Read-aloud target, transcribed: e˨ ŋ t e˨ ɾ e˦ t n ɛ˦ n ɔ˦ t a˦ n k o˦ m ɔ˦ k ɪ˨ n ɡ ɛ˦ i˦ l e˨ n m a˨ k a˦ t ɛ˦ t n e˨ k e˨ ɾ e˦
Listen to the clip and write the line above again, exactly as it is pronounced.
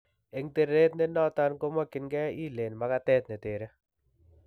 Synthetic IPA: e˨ ŋ t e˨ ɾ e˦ t n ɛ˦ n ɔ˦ t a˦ n k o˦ m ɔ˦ k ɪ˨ n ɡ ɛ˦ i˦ l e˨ n m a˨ k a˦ t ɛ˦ t n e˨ t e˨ ɾ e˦